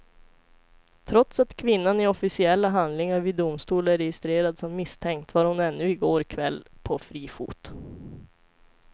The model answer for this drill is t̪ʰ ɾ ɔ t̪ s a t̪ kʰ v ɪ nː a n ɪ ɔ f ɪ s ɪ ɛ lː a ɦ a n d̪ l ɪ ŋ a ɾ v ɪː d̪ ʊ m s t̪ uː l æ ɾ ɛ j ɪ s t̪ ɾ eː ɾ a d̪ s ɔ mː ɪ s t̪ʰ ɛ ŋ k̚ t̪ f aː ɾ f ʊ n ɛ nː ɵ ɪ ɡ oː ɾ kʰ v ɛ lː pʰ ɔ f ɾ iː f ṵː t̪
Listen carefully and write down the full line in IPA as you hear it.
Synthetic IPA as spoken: t̪ʰ ɾ ɔ t̪ s a t̪ kʰ v ɪ nː a n ɪ ɔ f ɪ s ɪ ɛ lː a ɦ a n d̪ l ɪ ŋ a ɾ v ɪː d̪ ʊ m s t̪ uː l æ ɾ ɛ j ɪ s t̪ ɾ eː ɾ a d̪ s ɔ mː ɪ s t̪ʰ ɛ ŋ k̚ t̪ v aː ɾ h ʊ n ɛ nː ɵ ɪ ɡ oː ɾ kʰ v ɛ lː pʰ ɔ f ɾ iː f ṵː t̪